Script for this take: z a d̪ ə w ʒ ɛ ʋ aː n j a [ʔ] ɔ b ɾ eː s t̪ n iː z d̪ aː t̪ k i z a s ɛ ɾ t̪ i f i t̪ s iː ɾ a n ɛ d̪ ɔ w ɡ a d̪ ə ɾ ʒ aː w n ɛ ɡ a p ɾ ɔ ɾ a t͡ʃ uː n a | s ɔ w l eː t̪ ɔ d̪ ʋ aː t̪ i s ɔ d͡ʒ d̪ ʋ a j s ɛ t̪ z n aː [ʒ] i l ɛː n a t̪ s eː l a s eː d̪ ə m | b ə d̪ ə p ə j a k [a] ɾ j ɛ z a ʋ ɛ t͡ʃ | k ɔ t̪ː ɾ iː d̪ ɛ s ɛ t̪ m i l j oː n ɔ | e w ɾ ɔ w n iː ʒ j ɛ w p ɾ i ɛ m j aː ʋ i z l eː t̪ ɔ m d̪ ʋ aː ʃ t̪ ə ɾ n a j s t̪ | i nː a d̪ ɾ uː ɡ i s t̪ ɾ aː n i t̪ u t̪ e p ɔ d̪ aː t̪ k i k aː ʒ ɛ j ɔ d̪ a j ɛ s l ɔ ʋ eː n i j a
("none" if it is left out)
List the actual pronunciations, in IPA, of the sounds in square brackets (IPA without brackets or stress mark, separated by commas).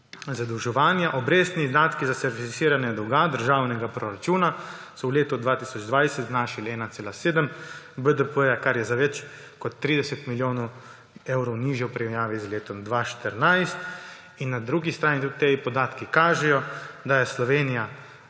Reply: ʔ, ʃ, a